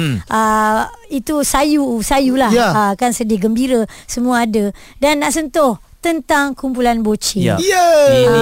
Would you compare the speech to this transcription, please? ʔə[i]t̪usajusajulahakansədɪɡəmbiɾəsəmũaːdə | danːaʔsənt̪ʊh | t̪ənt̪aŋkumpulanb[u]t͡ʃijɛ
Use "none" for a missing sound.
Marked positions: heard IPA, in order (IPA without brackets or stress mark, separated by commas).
i, o